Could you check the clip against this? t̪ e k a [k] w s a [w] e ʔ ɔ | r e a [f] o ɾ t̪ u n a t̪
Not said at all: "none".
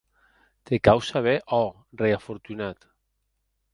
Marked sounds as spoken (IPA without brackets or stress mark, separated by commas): none, β, f